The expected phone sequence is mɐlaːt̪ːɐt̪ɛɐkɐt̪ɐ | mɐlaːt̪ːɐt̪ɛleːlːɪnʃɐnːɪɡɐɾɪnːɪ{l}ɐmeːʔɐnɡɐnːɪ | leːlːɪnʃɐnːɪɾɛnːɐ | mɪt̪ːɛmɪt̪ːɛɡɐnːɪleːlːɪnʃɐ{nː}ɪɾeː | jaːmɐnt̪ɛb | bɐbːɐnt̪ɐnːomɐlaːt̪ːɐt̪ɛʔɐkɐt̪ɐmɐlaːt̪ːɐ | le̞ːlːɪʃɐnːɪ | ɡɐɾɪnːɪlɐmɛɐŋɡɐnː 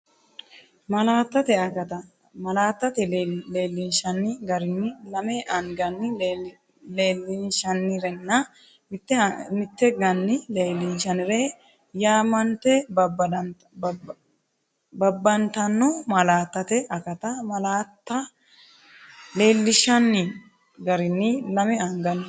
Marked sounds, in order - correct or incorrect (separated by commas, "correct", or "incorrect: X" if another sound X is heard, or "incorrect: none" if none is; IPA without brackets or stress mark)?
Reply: correct, incorrect: n